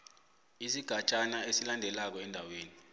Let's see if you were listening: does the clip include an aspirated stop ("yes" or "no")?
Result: no